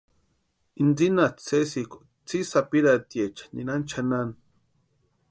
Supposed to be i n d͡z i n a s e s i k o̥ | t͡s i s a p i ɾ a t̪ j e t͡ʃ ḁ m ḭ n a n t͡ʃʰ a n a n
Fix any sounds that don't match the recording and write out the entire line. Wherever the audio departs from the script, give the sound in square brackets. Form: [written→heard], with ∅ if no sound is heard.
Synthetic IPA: i n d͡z i n a [s→t͡s] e s i k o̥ | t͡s i s a p i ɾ a t̪ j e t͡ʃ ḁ [m→n] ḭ n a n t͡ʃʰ a n a n